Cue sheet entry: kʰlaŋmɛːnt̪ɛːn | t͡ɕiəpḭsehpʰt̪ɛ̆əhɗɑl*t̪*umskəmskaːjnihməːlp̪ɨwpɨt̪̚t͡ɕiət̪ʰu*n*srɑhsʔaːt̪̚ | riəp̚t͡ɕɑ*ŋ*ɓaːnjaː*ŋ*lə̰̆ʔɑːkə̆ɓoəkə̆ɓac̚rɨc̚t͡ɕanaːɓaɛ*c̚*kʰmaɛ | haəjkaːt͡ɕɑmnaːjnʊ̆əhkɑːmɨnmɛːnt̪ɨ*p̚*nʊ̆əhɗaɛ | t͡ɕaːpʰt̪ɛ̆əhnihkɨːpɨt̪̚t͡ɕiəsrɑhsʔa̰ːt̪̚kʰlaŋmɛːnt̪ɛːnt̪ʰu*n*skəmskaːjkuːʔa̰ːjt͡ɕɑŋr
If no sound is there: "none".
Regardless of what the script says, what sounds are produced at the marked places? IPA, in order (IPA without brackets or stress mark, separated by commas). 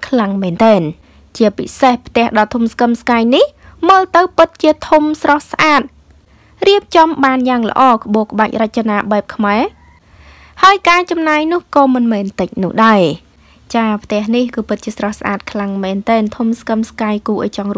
t̪ʰ, m, m, ŋ, p̚, c̚, m